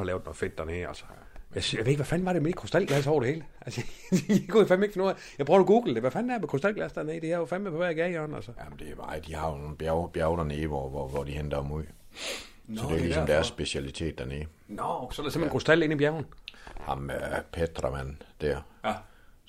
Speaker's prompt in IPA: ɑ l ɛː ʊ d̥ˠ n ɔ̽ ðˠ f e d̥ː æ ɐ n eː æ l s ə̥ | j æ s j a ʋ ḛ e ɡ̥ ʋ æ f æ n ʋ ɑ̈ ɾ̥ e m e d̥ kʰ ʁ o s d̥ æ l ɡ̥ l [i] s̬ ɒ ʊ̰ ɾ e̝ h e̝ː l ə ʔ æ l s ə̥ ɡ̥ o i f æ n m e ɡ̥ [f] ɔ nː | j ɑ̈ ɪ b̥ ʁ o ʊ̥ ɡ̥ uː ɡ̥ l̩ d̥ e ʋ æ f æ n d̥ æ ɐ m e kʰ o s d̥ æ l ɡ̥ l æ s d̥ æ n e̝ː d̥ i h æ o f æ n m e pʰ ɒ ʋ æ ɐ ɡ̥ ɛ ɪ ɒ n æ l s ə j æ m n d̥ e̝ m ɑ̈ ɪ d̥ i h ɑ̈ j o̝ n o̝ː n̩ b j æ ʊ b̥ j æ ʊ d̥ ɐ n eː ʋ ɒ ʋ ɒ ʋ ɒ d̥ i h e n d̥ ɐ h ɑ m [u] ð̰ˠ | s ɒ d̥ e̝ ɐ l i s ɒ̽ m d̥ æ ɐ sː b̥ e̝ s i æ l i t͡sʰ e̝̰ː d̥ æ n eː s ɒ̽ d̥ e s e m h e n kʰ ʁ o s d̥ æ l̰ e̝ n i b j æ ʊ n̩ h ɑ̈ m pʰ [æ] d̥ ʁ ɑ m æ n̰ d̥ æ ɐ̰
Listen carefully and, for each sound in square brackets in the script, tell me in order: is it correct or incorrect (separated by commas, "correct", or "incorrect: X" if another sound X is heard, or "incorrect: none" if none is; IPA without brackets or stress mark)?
incorrect: æ, correct, correct, incorrect: e